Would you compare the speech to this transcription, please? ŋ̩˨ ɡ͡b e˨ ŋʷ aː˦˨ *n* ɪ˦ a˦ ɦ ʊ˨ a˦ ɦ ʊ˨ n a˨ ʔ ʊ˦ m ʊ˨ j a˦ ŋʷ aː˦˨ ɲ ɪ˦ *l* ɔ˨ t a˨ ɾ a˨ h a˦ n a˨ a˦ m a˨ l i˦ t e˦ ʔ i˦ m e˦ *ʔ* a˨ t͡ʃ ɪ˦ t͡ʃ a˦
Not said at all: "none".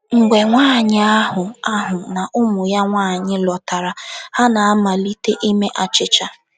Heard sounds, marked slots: ɲ, l, ʔ

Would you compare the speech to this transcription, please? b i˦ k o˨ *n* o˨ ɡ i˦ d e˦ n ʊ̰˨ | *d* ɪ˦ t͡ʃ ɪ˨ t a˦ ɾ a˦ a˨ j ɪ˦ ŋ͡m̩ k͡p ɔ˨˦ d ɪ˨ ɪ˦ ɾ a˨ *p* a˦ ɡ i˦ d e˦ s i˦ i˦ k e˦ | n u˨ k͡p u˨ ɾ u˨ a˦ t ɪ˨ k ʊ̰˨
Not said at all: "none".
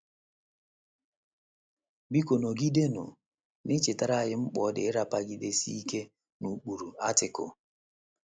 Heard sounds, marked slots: n, n, p

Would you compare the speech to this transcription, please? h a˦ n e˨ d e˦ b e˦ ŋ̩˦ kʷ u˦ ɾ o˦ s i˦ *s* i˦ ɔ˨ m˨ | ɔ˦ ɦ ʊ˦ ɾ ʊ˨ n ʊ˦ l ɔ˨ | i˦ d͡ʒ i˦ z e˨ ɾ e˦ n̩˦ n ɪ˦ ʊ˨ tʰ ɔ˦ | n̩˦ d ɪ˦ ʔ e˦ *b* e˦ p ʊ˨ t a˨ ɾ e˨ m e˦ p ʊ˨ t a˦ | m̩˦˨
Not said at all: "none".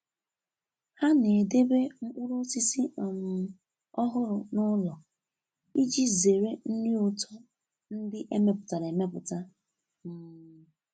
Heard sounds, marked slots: s, m

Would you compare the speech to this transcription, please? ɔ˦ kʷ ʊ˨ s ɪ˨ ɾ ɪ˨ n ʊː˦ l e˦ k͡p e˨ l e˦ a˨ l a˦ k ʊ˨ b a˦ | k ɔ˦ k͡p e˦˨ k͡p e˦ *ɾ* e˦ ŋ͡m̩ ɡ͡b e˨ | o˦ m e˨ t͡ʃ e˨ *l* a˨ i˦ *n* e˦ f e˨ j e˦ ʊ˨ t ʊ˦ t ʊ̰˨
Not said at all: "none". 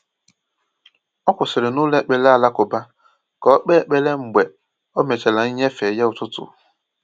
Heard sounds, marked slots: l, l, ɲ

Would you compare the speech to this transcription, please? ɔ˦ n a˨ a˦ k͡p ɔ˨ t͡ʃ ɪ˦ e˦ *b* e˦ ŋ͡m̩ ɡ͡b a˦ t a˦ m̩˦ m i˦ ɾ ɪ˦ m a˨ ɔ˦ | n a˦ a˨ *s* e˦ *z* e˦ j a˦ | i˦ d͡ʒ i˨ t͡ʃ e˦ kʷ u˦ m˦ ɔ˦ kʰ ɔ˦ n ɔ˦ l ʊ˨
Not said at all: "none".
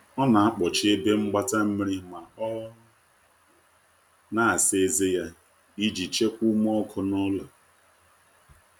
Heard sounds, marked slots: b, s, z

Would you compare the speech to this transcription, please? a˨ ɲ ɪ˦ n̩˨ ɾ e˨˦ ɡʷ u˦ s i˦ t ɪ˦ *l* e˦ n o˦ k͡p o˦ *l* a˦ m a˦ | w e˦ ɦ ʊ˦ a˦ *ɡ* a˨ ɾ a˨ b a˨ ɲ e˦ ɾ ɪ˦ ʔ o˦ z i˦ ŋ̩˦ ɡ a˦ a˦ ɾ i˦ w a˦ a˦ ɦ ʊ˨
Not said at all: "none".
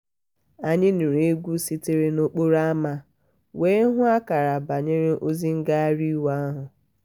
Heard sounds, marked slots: ɾ, ɾ, k

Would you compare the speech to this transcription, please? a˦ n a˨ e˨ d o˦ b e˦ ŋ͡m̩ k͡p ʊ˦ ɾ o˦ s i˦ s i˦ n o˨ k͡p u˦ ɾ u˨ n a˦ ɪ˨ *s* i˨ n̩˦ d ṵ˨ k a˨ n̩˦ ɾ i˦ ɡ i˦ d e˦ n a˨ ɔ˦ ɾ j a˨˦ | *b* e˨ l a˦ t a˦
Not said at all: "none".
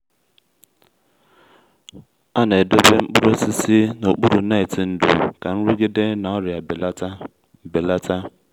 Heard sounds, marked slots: t, b

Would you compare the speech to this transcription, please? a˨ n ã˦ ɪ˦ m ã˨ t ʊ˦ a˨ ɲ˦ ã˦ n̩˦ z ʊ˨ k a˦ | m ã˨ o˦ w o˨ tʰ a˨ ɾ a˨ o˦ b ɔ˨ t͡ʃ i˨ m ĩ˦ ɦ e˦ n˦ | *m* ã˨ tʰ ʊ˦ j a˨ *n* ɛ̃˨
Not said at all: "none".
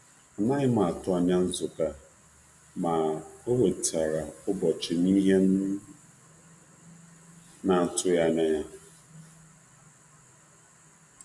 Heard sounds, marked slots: n, n

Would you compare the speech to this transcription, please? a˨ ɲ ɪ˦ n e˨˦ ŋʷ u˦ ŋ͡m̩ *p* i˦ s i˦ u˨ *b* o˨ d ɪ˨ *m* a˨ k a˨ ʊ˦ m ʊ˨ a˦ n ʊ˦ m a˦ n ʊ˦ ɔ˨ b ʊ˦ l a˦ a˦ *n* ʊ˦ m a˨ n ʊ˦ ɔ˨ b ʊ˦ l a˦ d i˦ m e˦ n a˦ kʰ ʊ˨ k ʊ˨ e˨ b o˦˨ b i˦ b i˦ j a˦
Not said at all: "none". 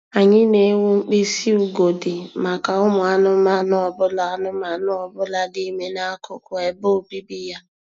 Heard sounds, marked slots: k͡p, ɡ, m, n

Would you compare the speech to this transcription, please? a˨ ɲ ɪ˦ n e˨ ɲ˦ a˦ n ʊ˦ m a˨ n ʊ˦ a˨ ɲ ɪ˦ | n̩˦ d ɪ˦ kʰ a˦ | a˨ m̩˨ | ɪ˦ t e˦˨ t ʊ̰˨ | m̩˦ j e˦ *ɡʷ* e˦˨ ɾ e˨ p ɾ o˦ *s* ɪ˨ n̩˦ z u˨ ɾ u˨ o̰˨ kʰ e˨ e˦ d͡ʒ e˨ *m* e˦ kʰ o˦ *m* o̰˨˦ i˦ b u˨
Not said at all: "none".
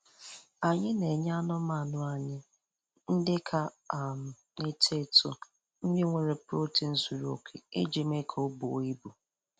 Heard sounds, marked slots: ŋʷ, t, m, b

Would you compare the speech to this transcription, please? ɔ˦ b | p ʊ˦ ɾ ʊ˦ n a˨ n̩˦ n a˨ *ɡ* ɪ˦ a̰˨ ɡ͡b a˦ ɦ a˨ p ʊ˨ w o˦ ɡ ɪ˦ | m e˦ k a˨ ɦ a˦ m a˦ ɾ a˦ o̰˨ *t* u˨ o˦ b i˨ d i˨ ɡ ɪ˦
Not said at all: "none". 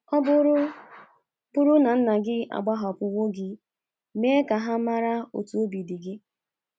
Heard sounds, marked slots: ɡ, t

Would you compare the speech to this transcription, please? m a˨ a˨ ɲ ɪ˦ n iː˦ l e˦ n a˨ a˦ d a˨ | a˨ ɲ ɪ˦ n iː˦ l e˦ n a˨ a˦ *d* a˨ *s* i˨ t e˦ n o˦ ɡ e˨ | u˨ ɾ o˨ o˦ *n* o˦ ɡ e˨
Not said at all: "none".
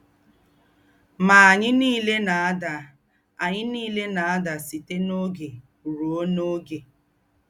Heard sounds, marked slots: d, s, n

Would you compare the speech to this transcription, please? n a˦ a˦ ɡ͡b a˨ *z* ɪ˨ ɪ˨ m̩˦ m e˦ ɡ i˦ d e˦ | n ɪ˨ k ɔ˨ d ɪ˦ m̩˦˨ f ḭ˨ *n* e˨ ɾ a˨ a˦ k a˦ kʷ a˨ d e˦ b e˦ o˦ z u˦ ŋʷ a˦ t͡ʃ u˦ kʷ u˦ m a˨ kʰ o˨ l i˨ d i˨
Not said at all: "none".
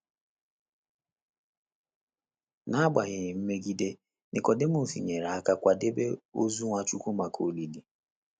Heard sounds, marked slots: ɣ, ɲ

